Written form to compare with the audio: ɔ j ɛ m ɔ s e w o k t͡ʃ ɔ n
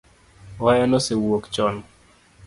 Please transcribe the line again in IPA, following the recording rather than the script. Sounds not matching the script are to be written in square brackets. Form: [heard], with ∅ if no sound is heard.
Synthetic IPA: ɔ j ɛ [n] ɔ s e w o k t͡ʃ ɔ n